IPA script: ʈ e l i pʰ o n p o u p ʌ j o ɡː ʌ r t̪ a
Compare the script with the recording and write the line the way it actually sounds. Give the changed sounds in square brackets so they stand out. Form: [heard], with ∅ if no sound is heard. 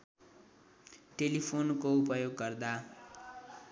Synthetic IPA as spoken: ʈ e l i pʰ o n [k] o u p ʌ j o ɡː ʌ r [d̪] a